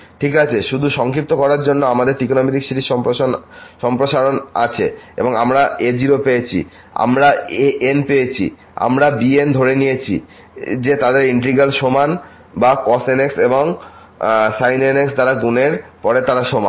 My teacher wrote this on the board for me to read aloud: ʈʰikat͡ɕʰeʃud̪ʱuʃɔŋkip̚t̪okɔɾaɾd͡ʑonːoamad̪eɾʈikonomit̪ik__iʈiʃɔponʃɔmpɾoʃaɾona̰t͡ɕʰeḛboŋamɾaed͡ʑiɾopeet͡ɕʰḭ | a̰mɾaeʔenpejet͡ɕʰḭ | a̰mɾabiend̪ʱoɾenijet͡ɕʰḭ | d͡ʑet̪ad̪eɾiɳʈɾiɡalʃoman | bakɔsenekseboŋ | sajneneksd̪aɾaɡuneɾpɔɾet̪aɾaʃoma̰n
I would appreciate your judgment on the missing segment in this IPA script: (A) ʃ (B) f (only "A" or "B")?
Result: A